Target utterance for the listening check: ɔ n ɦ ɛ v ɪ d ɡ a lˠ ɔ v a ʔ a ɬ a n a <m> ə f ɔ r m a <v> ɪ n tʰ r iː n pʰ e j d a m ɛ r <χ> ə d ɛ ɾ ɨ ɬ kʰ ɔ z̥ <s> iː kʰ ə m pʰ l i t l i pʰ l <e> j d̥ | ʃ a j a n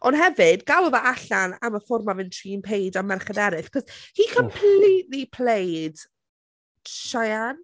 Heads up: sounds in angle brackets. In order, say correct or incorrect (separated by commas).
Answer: correct, correct, correct, incorrect, correct